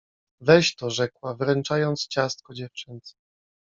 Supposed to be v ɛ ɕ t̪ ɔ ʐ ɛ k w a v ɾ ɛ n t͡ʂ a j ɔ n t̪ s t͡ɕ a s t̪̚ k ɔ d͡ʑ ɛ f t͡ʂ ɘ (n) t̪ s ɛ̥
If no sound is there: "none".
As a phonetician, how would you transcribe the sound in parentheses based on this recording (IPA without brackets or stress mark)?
n